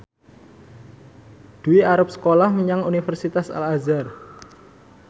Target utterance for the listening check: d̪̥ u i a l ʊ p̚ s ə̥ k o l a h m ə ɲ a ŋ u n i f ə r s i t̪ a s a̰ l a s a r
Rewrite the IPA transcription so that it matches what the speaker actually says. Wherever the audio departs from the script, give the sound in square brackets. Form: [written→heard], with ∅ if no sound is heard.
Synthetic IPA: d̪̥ u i a [l→ɾ] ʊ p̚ s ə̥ k o l a h m ə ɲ a ŋ u n i f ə r s i t̪ a s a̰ l a [s→z] a r